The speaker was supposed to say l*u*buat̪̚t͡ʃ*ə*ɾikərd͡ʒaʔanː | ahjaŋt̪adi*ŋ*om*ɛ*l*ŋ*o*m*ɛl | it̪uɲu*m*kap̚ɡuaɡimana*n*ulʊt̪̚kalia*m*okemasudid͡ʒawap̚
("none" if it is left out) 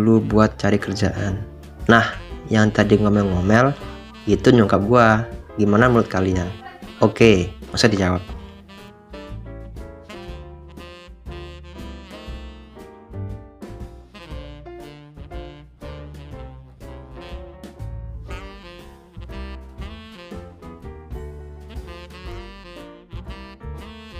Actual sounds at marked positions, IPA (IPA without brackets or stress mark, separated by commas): u, a, ŋ, ɛ, ŋ, m, ŋ, m, n